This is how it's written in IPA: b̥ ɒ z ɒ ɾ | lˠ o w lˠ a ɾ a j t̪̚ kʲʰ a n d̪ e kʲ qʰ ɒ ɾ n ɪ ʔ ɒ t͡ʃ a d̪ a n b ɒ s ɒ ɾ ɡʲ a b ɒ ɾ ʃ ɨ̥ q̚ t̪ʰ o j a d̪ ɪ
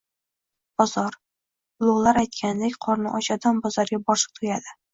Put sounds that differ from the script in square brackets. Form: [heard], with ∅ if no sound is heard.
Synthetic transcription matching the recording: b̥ ɒ z ɒ ɾ | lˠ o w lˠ a ɾ a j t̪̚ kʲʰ a n d̪ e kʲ qʰ ɒ ɾ n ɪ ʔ ɒ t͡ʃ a d̪ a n b ɒ [z] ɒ ɾ ɡʲ a b ɒ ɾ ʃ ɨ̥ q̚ t̪ʰ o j a d̪ ɪ